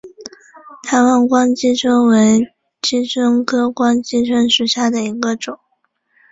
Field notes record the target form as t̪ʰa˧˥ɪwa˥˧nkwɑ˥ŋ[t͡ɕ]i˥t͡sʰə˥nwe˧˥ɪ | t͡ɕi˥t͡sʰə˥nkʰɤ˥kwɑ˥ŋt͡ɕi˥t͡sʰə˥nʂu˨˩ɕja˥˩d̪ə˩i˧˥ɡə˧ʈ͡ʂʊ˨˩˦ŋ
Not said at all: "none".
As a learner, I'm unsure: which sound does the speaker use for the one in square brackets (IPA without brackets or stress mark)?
t͡ɕ